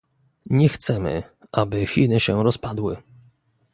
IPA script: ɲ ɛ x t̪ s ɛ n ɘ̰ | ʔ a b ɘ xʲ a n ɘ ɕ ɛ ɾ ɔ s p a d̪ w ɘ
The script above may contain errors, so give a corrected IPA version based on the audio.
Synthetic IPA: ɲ ɛ x t̪ s ɛ m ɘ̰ | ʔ a b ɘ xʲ i n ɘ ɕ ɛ ɾ ɔ s p a d̪ w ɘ